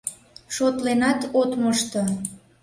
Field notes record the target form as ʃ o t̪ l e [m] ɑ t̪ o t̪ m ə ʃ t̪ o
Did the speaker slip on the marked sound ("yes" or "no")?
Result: yes